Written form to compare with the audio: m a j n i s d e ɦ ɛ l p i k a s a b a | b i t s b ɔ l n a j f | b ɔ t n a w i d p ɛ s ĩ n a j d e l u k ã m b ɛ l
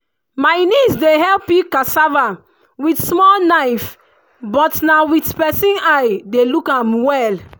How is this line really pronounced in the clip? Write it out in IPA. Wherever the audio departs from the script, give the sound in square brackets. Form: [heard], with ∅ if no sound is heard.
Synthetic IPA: m a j n i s d e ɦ ɛ l p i k a s a [v] a | [w] i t s [m] ɔ l n a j f | b ɔ t n a w i [t] p ɛ s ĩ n a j d e l u k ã m [w] ɛ l